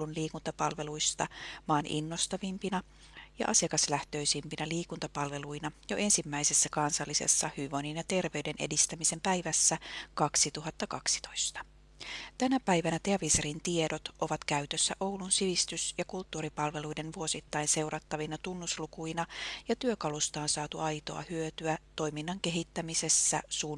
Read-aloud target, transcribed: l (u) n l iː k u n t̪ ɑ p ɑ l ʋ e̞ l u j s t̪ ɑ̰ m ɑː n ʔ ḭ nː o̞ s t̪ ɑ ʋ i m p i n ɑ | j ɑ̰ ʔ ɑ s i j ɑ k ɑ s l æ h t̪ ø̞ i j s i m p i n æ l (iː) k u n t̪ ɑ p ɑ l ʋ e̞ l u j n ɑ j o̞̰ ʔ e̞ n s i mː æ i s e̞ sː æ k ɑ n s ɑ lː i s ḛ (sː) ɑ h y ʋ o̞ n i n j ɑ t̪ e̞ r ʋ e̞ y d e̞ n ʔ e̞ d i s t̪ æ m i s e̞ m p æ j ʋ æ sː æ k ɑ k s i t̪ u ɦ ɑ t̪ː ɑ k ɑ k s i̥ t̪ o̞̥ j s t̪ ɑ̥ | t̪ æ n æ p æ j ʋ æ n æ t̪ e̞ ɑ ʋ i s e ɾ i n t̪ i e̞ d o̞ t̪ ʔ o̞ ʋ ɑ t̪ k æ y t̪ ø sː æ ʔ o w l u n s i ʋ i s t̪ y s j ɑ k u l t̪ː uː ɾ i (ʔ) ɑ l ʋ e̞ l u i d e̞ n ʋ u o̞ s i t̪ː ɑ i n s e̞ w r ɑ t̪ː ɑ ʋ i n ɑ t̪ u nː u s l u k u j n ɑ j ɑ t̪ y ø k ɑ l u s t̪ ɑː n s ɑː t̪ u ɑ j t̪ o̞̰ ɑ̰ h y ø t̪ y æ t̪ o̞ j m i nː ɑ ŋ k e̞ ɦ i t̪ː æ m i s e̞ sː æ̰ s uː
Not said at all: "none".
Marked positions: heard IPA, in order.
u, iː, sː, p

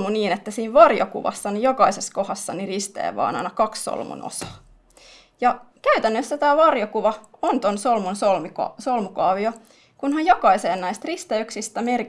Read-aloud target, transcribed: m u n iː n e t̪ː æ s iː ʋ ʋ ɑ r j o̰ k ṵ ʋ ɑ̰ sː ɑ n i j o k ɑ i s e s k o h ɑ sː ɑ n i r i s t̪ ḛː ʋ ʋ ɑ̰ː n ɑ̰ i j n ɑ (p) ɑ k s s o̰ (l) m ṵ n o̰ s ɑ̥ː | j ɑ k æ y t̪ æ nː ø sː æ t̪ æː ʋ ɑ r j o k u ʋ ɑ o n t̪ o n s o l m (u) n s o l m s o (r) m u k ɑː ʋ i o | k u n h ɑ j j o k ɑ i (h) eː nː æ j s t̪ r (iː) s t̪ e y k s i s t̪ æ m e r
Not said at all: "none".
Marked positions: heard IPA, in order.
k, l, u, l, s, i

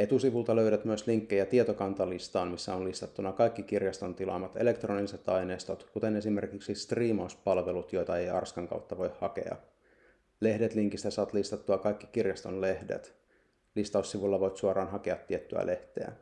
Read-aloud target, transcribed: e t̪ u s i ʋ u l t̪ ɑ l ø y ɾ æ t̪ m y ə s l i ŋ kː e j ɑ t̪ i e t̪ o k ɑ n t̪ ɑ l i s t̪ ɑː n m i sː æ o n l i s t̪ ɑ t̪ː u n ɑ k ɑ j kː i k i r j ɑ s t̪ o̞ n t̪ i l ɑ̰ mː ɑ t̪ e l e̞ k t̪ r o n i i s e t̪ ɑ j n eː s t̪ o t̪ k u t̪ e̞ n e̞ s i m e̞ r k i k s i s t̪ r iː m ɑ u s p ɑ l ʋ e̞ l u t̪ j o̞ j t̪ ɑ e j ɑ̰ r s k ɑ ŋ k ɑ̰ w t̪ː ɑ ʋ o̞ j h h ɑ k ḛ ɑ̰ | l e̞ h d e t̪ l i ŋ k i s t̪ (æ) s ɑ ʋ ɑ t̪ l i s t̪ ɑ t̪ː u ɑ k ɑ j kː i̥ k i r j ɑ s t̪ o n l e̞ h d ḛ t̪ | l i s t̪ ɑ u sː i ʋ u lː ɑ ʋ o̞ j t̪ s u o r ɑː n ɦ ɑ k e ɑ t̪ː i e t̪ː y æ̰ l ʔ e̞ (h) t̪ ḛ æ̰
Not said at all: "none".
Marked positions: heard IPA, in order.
æ, h

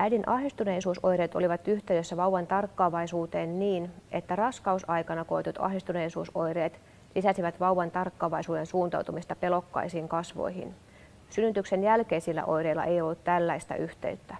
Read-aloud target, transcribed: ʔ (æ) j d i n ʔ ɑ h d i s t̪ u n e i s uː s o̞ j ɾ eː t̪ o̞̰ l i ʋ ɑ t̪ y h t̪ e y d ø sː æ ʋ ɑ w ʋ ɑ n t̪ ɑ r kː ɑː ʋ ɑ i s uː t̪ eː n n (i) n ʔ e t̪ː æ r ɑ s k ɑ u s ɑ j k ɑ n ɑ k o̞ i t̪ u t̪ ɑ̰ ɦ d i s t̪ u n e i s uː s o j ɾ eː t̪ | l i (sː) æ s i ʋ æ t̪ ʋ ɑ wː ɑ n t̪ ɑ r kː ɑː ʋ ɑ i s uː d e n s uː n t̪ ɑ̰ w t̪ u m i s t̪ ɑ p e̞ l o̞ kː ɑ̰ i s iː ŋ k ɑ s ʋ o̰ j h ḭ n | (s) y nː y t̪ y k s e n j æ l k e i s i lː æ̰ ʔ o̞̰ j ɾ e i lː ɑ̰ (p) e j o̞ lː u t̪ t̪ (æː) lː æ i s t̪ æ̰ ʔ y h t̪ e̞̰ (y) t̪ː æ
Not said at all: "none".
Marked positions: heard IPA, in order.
æ, iː, s, s, ʔ, æ, y

